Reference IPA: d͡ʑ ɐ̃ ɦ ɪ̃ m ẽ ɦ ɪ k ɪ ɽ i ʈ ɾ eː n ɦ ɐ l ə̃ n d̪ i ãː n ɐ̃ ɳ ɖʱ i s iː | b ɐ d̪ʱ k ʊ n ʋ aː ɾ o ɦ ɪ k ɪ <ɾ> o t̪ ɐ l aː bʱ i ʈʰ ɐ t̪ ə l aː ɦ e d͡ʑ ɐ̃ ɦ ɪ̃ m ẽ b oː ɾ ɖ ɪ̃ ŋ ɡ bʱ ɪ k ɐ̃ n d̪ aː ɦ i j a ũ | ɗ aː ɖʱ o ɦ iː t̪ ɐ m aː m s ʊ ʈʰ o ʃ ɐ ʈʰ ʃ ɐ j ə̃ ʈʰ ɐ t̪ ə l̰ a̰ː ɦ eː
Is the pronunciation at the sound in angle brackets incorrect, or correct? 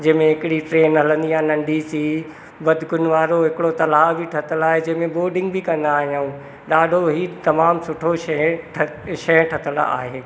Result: incorrect